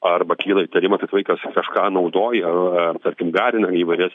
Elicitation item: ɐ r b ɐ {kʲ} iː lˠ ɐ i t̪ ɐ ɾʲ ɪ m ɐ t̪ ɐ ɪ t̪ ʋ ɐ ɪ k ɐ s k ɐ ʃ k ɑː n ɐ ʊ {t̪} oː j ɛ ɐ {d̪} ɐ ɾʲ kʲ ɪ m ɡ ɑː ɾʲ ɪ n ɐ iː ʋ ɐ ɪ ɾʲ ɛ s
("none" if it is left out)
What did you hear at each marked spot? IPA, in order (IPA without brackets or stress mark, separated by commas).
kʲ, d̪, t̪